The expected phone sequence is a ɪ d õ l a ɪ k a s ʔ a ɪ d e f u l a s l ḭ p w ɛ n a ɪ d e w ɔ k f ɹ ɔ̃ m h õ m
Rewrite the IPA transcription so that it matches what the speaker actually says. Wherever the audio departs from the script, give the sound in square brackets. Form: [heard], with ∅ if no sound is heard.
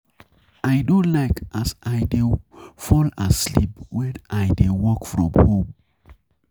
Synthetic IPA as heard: a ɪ d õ l a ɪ k a s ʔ a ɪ d e f [ɔ] l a s l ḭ p w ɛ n a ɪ d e w ɔ k f ɹ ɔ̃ m h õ m